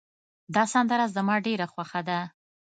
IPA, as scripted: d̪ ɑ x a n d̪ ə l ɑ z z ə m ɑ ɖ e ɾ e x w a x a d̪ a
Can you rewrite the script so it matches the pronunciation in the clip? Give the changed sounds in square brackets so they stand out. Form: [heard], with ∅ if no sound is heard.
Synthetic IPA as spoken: d̪ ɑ [s] a n d̪ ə [ɾ] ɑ z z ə m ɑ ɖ e ɾ [a] x w a x a d̪ a